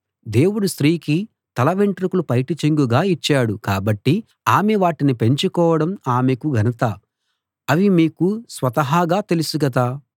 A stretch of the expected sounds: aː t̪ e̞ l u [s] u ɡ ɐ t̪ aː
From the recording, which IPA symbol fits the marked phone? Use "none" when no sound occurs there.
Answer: s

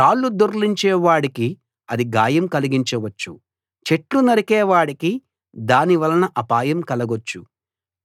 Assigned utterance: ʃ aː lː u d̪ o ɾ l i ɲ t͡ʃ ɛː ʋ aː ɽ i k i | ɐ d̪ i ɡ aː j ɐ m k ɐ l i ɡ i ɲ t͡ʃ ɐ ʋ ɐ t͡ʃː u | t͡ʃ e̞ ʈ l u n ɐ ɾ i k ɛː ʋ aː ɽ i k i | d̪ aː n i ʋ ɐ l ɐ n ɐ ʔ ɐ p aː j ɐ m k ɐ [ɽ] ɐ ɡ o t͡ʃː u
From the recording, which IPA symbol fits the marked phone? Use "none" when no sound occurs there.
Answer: l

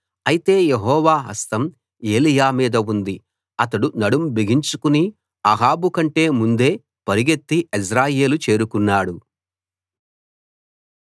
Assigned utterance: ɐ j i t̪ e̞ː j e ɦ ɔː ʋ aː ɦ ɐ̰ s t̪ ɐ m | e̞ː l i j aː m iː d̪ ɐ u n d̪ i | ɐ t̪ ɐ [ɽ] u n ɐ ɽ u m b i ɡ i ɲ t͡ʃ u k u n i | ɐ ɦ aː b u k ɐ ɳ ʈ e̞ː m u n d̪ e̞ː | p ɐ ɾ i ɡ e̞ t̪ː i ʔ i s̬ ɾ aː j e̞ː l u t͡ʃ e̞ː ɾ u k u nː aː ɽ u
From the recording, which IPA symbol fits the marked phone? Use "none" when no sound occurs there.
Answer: ɽ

